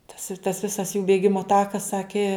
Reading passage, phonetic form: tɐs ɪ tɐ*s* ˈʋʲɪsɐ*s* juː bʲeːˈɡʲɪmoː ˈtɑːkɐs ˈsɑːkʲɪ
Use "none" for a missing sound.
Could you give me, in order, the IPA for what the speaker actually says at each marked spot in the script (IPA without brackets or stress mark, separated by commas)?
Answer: s, s